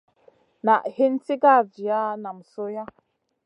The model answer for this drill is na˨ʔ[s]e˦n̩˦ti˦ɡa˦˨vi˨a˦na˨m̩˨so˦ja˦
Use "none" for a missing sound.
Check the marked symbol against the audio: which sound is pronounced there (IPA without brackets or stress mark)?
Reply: h